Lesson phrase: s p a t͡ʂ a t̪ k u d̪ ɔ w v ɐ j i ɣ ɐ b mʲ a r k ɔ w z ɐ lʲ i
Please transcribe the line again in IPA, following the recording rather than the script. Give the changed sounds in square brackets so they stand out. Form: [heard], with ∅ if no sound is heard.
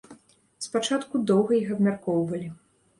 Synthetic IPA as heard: s p a t͡ʂ a t̪ k u d̪ ɔ w [ɣ] ɐ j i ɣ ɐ b mʲ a r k ɔ w [v] ɐ lʲ i